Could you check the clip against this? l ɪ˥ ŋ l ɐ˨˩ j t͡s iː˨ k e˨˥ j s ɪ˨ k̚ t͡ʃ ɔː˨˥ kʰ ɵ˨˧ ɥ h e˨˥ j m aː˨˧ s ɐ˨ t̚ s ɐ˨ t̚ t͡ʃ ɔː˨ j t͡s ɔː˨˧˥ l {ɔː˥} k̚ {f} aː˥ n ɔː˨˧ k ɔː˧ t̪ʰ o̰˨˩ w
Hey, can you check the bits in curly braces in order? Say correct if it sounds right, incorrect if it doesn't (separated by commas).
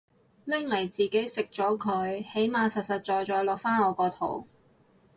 incorrect, correct